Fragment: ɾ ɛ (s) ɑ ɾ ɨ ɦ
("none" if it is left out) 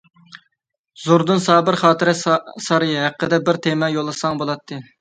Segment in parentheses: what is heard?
s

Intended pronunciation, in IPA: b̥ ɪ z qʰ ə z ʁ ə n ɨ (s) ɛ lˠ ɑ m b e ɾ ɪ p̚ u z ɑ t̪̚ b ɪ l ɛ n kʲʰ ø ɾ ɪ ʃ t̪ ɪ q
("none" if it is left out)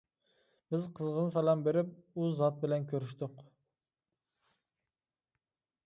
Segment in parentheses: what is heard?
s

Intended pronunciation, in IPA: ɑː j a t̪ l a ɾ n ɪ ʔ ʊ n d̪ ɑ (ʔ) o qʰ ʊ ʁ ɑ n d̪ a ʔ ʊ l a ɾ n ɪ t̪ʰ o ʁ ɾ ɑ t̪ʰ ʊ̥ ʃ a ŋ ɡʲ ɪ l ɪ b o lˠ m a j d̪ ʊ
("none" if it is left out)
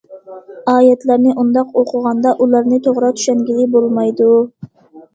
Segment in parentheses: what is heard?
q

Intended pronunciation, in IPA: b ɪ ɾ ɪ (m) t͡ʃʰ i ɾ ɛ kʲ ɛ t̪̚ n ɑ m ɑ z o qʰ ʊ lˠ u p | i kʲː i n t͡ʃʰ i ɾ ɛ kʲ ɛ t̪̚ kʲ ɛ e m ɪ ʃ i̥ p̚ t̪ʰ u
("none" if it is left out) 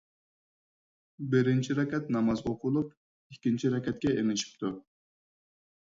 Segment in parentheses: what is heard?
n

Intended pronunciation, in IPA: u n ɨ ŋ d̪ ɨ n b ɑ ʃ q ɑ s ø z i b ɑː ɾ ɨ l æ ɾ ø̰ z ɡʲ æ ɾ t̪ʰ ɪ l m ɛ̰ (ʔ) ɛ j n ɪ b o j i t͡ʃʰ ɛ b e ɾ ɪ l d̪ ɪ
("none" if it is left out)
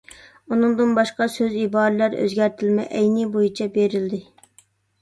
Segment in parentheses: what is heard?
ʔ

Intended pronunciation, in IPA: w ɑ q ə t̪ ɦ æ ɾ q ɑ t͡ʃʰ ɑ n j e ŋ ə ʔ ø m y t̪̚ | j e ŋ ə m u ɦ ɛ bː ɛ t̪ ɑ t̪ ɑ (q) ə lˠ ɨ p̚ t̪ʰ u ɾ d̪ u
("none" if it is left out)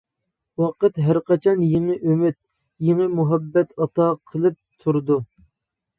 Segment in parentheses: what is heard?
qʰ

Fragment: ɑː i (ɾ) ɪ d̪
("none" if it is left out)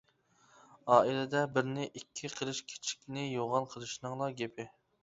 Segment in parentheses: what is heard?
l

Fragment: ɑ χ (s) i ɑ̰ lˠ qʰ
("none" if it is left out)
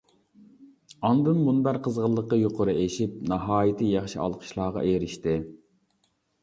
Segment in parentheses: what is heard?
ʃ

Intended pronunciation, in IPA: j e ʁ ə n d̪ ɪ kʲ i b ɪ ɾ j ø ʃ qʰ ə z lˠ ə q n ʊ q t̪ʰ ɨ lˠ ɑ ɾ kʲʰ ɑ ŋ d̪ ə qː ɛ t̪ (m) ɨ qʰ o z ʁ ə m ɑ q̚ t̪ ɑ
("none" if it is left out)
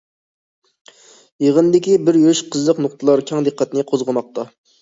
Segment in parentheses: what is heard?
n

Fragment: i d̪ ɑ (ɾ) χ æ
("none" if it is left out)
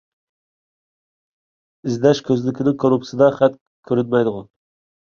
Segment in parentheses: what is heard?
none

